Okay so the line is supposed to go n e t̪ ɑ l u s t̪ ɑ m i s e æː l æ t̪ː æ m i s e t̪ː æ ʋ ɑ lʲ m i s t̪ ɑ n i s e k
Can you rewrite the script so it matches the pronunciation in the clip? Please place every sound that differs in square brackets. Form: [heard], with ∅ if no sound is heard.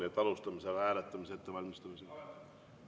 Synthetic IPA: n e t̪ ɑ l u s t̪ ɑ m i s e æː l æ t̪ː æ m i s e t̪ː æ ʋ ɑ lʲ m i s t̪ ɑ [m] i s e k